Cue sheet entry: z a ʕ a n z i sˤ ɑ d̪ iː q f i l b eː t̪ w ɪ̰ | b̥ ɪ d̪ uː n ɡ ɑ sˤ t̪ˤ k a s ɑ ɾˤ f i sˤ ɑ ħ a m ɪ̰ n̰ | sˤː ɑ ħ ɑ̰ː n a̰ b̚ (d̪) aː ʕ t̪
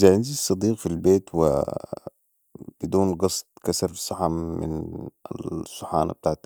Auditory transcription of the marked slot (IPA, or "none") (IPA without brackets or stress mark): t̪